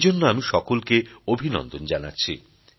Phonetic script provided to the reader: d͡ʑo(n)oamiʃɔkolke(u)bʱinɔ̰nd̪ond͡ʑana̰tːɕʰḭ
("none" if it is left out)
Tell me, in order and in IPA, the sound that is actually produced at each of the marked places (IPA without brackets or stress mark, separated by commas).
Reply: nː, o